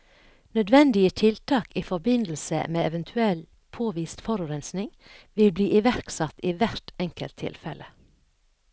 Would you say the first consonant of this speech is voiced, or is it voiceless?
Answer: voiced